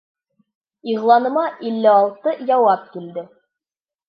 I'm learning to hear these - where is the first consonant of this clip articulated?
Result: uvula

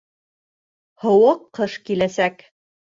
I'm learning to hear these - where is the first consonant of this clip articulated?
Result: throat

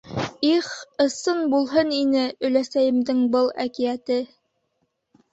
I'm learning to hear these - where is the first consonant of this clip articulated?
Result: uvula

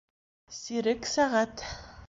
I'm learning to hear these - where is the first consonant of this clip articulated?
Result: tongue tip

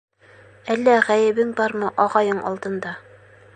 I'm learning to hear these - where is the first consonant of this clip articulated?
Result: tongue tip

